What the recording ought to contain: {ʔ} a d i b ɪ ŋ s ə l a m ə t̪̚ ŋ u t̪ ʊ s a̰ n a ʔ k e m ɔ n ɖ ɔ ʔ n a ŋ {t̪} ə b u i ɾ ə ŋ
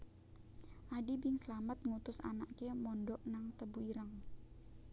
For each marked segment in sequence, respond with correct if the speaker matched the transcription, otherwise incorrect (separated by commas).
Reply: correct, correct